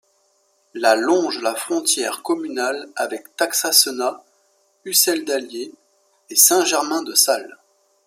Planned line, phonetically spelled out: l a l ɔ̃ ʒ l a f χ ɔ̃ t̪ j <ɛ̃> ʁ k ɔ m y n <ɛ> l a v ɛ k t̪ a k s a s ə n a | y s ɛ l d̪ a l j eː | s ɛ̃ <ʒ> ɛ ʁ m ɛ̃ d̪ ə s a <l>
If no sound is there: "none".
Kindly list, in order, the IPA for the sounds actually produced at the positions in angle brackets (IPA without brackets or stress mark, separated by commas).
ɛ, a, ʒ, l